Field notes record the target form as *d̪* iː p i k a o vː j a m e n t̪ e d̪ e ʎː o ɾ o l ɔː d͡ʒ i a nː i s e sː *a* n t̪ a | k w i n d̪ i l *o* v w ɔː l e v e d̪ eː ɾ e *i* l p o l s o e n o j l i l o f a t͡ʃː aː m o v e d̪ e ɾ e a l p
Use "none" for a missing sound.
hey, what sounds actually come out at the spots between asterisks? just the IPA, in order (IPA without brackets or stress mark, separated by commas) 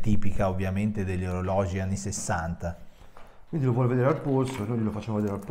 t̪, a, o, a